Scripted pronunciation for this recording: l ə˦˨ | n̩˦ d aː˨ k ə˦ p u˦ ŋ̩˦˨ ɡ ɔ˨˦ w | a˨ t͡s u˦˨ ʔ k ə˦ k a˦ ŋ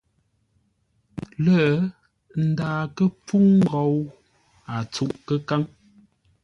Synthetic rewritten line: l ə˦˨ | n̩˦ d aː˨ k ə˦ p͡f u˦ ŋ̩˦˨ ɡ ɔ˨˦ w | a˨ t͡s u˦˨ ʔ k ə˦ k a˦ ŋ